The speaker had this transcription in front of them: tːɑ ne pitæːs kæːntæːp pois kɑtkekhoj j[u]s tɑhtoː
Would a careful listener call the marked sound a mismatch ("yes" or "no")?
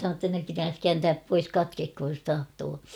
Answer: yes